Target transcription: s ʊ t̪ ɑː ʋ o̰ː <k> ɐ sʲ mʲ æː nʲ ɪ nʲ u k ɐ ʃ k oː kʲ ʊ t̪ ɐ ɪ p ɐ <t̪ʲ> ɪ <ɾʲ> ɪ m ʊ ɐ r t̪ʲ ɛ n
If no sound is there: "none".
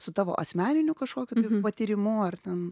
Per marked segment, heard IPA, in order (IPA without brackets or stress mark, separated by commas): ʔ, t̪ʲ, ɾʲ